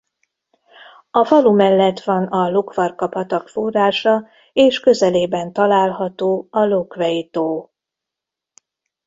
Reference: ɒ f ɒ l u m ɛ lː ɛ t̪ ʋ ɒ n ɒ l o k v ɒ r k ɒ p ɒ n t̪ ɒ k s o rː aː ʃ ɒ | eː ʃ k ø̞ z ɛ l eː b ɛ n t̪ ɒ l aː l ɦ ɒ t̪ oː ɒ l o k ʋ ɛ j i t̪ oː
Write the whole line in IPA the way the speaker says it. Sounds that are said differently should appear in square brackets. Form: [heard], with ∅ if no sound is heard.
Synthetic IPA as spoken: ɒ f ɒ l u m ɛ lː ɛ t̪ ʋ ɒ n ɒ l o k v ɒ r k ɒ p ɒ [∅] t̪ ɒ k [f] o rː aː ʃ ɒ | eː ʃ k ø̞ z ɛ l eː b ɛ n t̪ ɒ l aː l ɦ ɒ t̪ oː ɒ l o k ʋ ɛ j i t̪ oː